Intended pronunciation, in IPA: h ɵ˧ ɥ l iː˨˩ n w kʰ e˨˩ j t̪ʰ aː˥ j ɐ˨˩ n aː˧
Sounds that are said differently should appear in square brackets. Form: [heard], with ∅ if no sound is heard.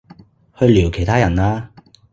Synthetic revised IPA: h ɵ˧ ɥ l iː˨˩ [∅] w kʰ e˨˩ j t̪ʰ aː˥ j ɐ˨˩ n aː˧